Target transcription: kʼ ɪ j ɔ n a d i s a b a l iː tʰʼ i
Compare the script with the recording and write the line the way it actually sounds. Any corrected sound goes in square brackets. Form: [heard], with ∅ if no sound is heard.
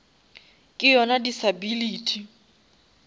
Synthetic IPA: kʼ ɪ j ɔ n a d i s a b [i] l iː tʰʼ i